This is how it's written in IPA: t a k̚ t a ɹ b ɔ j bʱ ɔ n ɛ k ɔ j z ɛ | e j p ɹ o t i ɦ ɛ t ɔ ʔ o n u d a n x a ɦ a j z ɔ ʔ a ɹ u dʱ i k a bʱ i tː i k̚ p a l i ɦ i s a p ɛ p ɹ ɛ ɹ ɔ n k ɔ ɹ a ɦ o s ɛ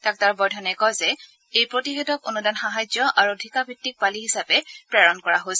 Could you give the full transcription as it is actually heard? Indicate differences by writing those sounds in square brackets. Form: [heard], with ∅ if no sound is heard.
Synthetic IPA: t a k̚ t a ɹ b ɔ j [dʱ] ɔ n ɛ k ɔ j z ɛ | e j p ɹ o t i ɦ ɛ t ɔ [k] o n u d a n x a ɦ a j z ɔ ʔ a ɹ u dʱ i k a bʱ i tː i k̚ p a l i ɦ i s a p ɛ p ɹ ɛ ɹ ɔ n k ɔ ɹ a ɦ o s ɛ